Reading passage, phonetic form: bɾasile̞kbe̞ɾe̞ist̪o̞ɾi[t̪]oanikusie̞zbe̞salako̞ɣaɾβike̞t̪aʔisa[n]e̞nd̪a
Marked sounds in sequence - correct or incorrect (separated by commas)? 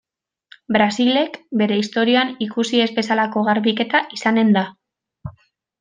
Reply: incorrect, correct